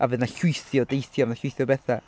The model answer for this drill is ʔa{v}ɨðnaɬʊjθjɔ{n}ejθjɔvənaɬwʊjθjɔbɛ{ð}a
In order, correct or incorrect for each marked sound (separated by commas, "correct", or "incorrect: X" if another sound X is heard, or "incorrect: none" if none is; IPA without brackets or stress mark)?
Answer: correct, incorrect: d, incorrect: θ